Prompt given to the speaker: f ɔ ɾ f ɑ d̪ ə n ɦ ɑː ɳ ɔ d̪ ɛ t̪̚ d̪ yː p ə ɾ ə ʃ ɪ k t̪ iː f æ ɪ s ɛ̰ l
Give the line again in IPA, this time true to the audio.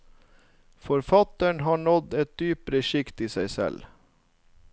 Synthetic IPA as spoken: f ɔ ɾ f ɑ t̪ ə ɳ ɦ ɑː ɳ ɔ d̪ ɛ t̪̚ d̪ yː p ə ɾ ə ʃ ɪ k t̪ iː s æ ɪ s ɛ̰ l